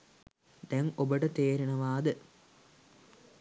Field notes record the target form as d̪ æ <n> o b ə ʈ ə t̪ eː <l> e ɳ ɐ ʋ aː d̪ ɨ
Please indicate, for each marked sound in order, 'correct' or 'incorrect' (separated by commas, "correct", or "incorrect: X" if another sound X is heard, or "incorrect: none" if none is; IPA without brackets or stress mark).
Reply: incorrect: ŋ, incorrect: ɾ